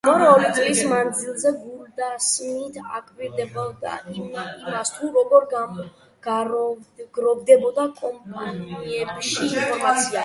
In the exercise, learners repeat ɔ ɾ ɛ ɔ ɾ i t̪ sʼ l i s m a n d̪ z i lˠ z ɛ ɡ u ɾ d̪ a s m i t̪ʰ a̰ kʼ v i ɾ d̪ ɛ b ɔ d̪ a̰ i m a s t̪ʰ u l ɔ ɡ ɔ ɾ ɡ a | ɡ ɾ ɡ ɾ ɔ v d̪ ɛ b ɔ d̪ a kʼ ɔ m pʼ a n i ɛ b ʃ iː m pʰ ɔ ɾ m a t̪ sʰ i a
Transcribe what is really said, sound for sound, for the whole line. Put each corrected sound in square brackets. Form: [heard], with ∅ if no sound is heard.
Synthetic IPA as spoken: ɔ ɾ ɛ ɔ ɾ i t̪ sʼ l i s m a n d̪ z i lˠ z ɛ ɡ u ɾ d̪ a s m i t̪ʰ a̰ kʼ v i ɾ d̪ ɛ b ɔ d̪ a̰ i m a s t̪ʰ u [ɾ] ɔ ɡ ɔ ɾ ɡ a | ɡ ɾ ɡ ɾ ɔ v d̪ ɛ b ɔ d̪ a kʼ ɔ m pʼ a n i ɛ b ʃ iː [n] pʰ ɔ ɾ m a t̪ sʰ i a